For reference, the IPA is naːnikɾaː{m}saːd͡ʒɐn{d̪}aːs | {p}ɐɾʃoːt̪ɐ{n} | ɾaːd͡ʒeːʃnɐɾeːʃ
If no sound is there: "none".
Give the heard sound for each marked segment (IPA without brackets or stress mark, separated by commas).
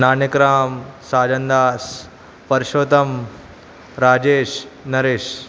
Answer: m, d̪, p, m